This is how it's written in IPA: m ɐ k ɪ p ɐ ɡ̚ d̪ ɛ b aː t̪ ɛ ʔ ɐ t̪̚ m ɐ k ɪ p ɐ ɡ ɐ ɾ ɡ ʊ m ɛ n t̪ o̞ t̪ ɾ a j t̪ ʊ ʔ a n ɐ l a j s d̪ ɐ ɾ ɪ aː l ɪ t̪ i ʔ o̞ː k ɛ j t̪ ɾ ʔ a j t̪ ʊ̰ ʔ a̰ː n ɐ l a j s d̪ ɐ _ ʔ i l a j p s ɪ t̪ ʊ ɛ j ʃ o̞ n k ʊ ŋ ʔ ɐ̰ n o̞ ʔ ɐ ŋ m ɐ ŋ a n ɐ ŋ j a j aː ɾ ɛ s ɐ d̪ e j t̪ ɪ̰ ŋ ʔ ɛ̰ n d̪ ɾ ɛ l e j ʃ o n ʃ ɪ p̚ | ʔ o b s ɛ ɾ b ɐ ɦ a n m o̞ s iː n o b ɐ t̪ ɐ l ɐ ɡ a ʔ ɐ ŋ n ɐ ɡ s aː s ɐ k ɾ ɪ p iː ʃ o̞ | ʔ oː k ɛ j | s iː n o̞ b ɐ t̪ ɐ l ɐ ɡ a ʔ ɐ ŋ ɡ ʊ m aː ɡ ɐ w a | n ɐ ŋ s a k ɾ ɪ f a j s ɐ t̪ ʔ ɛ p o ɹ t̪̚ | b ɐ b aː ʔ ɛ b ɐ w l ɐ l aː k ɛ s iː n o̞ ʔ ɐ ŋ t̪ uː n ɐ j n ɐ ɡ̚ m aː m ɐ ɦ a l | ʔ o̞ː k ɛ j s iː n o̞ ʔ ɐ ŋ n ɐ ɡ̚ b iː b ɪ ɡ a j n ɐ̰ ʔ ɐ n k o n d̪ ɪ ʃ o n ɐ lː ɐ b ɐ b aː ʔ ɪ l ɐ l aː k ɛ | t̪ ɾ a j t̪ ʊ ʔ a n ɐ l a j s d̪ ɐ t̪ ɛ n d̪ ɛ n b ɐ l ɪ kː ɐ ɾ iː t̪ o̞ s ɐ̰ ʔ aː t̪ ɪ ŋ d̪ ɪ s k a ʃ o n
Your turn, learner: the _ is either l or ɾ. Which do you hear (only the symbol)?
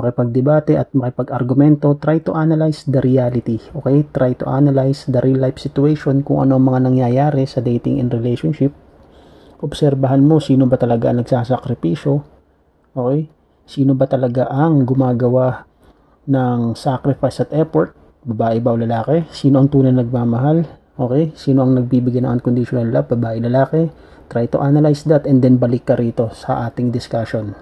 ɾ